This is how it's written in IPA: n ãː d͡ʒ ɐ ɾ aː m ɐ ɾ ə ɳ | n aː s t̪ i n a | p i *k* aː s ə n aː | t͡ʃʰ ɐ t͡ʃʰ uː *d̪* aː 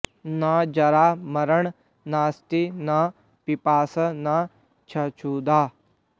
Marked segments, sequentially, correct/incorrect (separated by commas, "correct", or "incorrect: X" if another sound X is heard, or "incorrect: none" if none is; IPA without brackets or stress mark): incorrect: p, correct